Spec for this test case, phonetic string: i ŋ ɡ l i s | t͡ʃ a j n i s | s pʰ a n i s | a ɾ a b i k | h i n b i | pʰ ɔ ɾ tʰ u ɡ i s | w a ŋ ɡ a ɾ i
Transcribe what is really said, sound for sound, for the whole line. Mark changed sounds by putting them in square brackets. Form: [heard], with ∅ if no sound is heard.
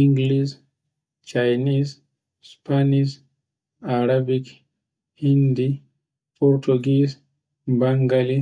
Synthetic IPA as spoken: i ŋ ɡ l i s | t͡ʃ a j n i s | s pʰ a n i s | a ɾ a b i k | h i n [d] i | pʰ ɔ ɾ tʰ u ɡ i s | [b] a ŋ ɡ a [l] i

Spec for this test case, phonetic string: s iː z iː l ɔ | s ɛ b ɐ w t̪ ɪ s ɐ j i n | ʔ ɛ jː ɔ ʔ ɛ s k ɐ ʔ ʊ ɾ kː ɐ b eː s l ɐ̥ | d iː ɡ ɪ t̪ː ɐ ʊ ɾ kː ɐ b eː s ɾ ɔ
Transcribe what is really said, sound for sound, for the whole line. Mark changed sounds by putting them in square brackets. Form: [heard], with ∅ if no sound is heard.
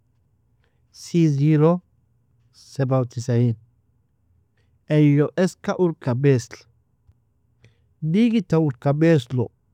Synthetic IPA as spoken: s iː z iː [ɾ] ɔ | s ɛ b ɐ w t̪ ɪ s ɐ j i n | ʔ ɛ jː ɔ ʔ ɛ s k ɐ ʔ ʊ ɾ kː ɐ b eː s l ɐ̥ | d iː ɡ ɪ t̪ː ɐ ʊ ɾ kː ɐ b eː s [l] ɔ

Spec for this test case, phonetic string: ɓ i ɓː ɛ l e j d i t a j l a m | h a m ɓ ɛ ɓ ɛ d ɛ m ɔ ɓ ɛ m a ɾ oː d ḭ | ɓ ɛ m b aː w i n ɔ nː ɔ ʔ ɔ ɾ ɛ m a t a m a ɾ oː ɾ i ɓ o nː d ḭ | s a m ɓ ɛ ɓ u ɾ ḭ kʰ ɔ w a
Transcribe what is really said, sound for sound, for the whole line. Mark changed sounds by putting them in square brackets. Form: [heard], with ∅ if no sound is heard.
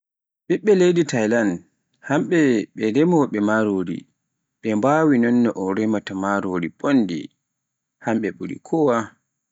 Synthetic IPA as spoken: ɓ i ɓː ɛ l e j d i t a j l a [n] | h a m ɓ ɛ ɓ ɛ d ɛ m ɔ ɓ ɛ m a ɾ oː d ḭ | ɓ ɛ m b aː w i n ɔ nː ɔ ʔ ɔ ɾ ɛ m a t a m a ɾ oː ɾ i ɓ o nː d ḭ | [h] a m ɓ ɛ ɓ u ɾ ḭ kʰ ɔ w a

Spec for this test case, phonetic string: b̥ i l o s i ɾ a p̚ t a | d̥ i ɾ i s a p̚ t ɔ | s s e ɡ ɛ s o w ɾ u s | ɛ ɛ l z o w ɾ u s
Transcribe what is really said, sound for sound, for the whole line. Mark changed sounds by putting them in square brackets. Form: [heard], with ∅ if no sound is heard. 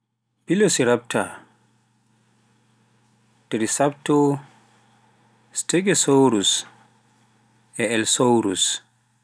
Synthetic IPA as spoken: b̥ i l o s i ɾ a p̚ t a | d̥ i ɾ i s a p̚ t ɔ | s [t] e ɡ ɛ s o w ɾ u s | ɛ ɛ l [s] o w ɾ u s

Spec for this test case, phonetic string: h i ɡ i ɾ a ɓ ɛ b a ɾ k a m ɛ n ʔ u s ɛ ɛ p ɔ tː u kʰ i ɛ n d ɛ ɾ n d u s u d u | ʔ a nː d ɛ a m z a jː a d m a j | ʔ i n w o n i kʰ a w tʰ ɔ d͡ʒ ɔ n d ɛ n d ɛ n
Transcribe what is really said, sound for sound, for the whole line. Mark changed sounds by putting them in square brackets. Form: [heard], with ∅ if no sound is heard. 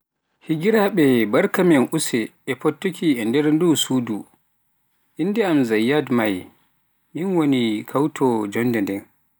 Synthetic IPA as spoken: h i ɡ i ɾ a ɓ ɛ b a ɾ k a m ɛ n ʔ u s ɛ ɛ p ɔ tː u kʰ i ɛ n d ɛ ɾ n d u s u d u | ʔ [i] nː d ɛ a m z a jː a d m a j | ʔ i n w o n i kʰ a w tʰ ɔ d͡ʒ ɔ n d ɛ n d ɛ n

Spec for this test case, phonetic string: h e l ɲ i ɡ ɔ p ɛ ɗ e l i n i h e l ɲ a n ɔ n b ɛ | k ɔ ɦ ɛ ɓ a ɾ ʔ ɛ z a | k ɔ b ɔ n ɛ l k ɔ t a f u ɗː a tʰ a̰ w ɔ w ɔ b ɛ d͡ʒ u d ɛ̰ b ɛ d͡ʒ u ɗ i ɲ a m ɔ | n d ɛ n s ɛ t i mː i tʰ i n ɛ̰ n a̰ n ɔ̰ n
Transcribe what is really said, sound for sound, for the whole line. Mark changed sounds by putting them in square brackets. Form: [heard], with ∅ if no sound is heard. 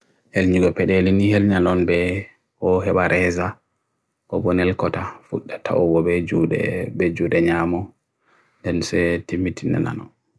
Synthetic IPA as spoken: h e l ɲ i ɡ ɔ p ɛ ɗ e l i n i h e l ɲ a n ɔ n b ɛ | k ɔ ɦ ɛ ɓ a ɾ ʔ ɛ z a | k ɔ b ɔ n ɛ l k ɔ t a f u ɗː a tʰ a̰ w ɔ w ɔ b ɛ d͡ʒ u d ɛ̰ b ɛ d͡ʒ u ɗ [ɛ] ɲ a m ɔ | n d ɛ n s ɛ t i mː i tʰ i n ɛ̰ n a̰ n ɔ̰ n

